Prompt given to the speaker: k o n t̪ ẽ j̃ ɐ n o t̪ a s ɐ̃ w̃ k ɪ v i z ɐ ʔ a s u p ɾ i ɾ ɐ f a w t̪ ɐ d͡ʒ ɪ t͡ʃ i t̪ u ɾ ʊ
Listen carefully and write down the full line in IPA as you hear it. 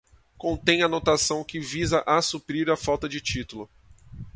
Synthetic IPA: k õ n t̪ ẽ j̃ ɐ n o t̪ a s ɐ̃ w̃ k ɪ v i z ɐ ʔ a s u p ɾ i ɾ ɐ f a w t̪ ɐ d͡ʒ ɪ t͡ʃ i t̪ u l ʊ